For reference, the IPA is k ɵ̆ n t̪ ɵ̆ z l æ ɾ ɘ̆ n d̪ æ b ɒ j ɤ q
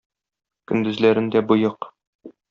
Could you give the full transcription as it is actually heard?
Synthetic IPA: k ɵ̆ n d̪ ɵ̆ z l æ ɾ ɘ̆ n d̪ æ b u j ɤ q